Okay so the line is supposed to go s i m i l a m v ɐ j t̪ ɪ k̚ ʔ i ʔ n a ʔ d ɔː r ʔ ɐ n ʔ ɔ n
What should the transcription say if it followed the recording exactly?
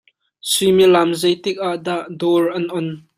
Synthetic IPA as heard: s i m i l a m z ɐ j t̪ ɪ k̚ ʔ a ʔ d a ʔ d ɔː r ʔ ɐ n ʔ ɔ n